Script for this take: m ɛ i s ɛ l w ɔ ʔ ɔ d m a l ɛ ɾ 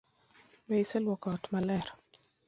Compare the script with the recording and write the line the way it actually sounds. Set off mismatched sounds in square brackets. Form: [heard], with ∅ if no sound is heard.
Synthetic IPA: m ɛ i s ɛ l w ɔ [k] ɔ [t] m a l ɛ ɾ